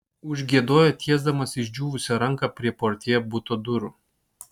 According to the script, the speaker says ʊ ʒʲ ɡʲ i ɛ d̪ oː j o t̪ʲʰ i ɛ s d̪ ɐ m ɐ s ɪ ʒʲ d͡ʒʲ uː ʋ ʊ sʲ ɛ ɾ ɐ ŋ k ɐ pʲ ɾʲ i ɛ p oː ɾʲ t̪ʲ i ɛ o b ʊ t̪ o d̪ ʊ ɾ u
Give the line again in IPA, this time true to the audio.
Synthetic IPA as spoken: ʊ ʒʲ ɡʲ i ɛ d̪ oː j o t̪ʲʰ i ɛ z d̪ ɐ m ɐ s ɪ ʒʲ d͡ʒʲ uː ʋ ʊ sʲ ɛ ɾ ɐ ŋ k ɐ pʲ ɾʲ i ɛ p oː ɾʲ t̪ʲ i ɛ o b ʊ t̪ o d̪ ʊ ɾ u